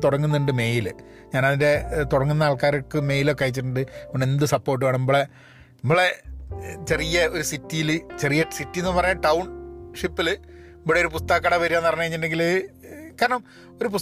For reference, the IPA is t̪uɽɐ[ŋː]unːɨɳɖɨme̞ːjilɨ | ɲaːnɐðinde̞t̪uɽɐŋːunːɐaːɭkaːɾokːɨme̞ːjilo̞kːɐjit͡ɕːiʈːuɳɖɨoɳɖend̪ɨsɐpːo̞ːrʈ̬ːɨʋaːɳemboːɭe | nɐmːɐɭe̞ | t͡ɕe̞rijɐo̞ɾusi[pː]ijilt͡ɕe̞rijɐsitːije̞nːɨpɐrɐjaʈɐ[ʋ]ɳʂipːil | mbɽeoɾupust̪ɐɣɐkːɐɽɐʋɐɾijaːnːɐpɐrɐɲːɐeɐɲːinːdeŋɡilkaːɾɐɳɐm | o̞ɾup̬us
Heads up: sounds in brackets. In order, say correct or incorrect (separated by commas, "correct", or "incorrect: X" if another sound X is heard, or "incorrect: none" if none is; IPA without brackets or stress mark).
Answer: correct, incorrect: tː, incorrect: w